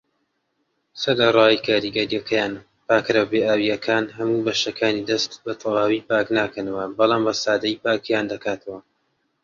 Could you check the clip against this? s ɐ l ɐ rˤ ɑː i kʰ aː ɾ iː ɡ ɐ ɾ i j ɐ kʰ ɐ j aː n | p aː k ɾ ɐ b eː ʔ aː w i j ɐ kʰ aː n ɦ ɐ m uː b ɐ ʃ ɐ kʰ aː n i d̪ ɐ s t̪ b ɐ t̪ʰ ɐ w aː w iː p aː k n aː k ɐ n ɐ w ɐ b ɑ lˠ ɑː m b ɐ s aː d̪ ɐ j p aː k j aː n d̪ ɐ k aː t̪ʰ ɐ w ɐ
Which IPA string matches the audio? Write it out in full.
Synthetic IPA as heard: s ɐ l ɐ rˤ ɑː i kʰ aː ɾ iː ɡ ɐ ɾ i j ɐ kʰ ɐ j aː n | p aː k ɾ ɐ b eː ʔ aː w i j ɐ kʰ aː n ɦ ɐ m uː b ɐ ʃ ɐ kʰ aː n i d̪ ɐ s t̪ b ɐ t̪ʰ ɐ w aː w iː p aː k n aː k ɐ n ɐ w ɐ b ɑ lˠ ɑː m b ɐ s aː d̪ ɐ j p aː k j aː n d̪ ɐ k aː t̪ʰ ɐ w ɐ